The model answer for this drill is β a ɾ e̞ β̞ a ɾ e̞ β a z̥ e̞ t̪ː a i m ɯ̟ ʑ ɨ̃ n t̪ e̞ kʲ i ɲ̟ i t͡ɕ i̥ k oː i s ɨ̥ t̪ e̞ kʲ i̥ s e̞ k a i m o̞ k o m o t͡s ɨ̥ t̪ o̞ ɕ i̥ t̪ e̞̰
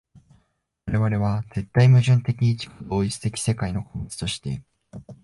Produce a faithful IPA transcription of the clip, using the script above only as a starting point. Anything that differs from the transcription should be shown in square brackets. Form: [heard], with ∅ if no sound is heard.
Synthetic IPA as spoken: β a ɾ e̞ β̞ a ɾ e̞ β a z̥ e̞ t̪ː a i m ɯ̟ ʑ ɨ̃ n t̪ e̞ kʲ i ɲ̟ i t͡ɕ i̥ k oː i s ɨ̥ t̪ e̞ kʲ i̥ s e̞ k a i [n] o̞ k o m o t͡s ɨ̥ t̪ o̞ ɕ i̥ t̪ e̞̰